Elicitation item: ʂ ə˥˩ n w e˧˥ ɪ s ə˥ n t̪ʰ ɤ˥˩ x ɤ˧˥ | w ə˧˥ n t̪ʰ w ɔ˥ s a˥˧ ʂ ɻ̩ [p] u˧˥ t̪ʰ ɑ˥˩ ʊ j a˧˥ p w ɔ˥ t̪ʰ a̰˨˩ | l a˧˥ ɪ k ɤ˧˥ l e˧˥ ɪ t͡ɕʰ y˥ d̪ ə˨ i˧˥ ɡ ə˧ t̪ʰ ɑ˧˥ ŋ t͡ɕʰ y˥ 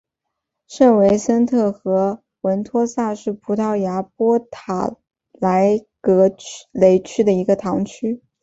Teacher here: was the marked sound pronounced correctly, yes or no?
no